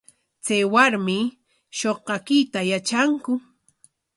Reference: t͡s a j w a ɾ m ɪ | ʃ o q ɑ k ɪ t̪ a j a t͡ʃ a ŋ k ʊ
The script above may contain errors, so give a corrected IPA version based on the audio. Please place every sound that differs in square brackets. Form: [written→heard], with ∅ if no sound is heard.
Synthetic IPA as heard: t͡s a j w a ɾ m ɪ | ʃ o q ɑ k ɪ t̪ a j a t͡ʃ a ŋ k ʊ